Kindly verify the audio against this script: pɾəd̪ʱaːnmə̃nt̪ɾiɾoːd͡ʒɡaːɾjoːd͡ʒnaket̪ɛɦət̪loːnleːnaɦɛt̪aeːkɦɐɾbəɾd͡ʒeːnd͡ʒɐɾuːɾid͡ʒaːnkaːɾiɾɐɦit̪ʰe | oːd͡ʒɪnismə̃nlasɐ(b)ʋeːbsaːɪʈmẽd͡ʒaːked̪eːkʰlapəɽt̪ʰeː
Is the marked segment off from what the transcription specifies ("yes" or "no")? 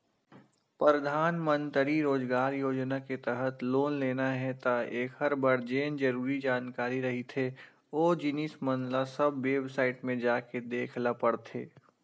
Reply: no